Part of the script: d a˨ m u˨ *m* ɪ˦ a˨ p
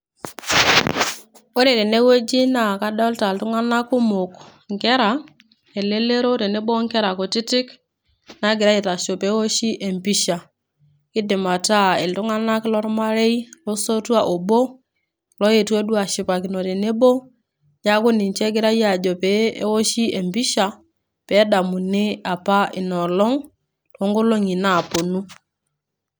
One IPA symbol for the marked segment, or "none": n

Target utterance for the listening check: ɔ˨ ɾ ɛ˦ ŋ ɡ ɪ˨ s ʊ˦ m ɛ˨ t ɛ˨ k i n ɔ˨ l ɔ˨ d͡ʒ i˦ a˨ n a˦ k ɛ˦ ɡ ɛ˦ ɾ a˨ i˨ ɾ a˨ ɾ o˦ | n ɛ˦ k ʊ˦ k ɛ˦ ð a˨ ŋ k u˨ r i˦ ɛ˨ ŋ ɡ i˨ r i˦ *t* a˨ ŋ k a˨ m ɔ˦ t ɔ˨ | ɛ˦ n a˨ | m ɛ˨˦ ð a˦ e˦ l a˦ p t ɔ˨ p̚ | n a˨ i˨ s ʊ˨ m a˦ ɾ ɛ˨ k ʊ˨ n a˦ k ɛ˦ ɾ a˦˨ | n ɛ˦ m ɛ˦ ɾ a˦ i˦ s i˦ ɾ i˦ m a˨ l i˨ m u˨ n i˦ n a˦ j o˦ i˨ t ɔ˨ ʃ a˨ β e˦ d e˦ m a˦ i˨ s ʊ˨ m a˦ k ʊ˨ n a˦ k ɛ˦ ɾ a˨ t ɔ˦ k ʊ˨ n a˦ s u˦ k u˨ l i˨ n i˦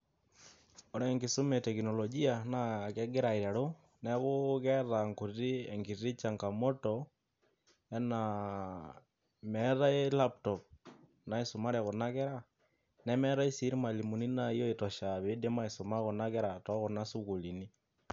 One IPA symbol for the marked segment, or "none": t͡ʃ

